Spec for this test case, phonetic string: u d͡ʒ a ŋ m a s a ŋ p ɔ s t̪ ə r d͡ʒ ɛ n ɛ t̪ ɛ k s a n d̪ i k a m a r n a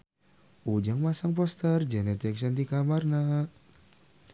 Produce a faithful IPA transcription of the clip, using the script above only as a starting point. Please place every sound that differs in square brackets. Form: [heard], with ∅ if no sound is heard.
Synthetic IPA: u d͡ʒ a ŋ m a s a ŋ p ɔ s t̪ ə r d͡ʒ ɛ n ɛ t̪ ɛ k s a n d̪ i k a m a r n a